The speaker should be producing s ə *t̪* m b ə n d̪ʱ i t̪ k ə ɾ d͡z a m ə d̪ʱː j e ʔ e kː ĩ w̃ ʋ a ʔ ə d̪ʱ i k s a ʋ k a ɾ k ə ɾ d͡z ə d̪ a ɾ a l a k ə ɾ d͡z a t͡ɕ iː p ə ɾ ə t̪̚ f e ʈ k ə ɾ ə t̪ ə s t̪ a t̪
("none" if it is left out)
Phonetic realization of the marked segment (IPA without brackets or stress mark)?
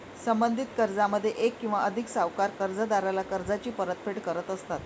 none